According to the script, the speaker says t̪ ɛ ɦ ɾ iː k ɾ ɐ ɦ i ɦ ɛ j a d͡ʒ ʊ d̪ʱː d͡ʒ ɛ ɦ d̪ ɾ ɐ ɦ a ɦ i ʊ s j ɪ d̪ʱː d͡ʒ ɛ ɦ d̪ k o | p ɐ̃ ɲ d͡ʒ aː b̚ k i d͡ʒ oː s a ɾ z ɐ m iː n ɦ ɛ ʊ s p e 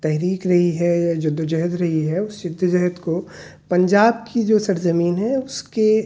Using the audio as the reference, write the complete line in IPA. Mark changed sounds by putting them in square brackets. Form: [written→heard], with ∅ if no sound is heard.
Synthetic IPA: t̪ ɛ ɦ ɾ iː k ɾ ɐ ɦ i ɦ ɛ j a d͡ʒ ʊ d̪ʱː d͡ʒ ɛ ɦ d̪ ɾ ɐ ɦ [a→i] ɦ [i→ɛ] ʊ s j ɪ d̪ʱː d͡ʒ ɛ ɦ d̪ k o | p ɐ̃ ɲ d͡ʒ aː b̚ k i d͡ʒ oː s [a→ɐ] ɾ z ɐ m iː n ɦ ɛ ʊ s [p→k] e